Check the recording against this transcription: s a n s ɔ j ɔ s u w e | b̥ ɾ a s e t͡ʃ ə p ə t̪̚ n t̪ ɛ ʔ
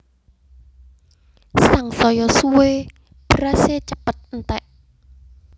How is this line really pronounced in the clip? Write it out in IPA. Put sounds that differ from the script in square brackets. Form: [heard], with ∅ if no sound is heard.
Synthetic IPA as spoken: s a [ŋ] s ɔ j ɔ s u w e | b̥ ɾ a s e t͡ʃ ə p ə t̪̚ n t̪ ɛ ʔ